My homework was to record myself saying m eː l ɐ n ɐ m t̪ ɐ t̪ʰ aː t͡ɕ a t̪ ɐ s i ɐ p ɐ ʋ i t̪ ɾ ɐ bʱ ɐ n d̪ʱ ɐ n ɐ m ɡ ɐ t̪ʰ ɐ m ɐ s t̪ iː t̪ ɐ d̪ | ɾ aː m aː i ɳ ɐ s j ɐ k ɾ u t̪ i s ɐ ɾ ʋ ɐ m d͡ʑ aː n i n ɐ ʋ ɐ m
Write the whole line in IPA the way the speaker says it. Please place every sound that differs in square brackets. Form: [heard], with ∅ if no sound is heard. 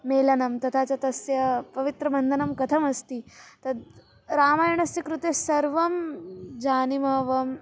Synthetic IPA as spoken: m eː l ɐ n ɐ m t̪ ɐ t̪ʰ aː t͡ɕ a t̪ ɐ s [j] ɐ p ɐ ʋ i t̪ ɾ ɐ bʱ ɐ n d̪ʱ ɐ n ɐ m [k] ɐ t̪ʰ ɐ m ɐ s t̪ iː t̪ ɐ d̪ | ɾ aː m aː [j] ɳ ɐ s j ɐ k ɾ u t̪ [e] s ɐ ɾ ʋ ɐ m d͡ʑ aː n i [m] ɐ ʋ ɐ m